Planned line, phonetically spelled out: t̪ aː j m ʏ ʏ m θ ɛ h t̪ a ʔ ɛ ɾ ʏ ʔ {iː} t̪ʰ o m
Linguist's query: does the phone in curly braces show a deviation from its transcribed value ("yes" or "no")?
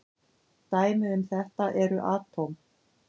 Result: yes